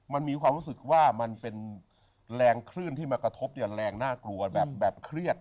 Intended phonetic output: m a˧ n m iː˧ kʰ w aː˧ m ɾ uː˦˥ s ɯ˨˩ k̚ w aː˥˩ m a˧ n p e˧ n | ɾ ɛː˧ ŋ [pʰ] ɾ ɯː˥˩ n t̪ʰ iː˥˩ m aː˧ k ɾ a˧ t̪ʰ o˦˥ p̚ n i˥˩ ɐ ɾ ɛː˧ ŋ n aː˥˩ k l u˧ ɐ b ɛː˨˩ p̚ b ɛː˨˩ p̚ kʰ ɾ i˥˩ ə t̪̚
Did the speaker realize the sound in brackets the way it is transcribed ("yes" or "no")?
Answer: no